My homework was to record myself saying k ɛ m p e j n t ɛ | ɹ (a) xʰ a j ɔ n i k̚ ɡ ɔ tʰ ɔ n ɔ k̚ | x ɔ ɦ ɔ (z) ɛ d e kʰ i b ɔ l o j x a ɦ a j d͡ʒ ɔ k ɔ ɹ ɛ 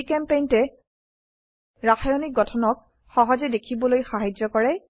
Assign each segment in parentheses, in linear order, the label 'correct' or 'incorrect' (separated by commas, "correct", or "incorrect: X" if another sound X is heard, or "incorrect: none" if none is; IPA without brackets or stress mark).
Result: correct, correct